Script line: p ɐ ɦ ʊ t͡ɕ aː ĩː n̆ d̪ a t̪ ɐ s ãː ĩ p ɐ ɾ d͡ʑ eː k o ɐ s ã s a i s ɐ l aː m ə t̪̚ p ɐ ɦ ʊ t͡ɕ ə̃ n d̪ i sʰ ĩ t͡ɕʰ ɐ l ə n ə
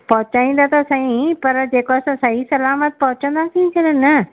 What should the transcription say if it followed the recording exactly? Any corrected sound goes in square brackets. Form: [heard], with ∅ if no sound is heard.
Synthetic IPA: p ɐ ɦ ʊ t͡ɕ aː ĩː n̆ d̪ a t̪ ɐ s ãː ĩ p ɐ ɾ d͡ʑ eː k o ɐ s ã s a i s ɐ l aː m ə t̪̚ p ɐ ɦ ʊ t͡ɕ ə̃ n d̪ [a] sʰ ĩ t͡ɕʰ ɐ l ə n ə